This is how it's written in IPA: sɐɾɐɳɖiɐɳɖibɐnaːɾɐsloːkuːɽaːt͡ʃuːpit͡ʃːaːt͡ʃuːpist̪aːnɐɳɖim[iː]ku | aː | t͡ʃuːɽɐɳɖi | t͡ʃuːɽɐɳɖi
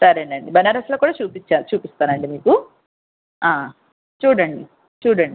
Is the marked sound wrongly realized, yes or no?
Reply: no